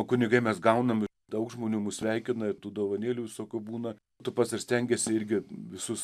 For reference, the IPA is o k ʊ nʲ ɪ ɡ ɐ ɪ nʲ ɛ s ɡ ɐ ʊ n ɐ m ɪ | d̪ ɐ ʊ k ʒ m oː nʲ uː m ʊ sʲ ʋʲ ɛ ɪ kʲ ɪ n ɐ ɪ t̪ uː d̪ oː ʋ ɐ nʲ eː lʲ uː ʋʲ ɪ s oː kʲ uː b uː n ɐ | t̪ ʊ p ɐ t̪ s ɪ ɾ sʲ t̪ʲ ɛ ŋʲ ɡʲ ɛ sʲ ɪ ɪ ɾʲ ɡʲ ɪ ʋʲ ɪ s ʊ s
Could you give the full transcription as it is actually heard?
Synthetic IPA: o k ʊ nʲ ɪ ɡ ɐ ɪ mʲ ɛ s ɡ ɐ ʊ n ɐ m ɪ | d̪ ɐ ʊ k ʒ m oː nʲ uː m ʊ sʲ ʋʲ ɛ ɪ kʲ ɪ n ɐ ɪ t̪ uː d̪ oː ʋ ɐ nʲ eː lʲ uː ʋʲ ɪ s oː kʲ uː b uː n ɐ | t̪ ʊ p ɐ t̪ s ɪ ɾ sʲ t̪ʲ ɛ ŋʲ ɡʲ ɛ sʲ ɪ ɪ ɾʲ ɡʲ ɪ ʋʲ ɪ s ʊ s